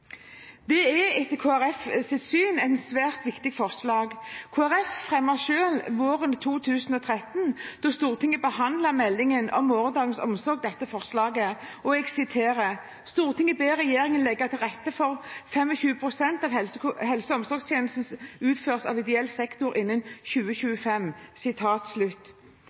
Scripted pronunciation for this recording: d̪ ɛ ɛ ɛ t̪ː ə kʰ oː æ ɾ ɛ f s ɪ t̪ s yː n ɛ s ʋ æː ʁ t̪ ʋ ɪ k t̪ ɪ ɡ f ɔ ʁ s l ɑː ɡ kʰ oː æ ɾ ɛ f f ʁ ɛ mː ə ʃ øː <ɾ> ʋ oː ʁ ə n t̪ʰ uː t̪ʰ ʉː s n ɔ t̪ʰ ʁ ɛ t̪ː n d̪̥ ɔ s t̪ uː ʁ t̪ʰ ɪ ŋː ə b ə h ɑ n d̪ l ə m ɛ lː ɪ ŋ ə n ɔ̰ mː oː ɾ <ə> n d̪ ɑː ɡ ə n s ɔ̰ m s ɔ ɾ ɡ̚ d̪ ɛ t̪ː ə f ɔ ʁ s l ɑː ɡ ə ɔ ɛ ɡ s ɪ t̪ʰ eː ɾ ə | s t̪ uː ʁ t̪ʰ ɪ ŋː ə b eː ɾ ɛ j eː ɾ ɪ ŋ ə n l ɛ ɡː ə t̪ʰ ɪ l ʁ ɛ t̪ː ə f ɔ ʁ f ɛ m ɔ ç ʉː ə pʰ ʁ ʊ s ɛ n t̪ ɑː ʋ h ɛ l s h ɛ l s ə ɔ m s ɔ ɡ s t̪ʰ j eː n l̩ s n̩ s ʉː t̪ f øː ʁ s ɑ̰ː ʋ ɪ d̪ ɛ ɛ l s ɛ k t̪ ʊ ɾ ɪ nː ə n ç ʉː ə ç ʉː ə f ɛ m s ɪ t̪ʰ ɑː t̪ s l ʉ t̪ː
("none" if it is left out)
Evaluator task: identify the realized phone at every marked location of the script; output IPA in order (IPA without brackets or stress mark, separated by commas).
l, ə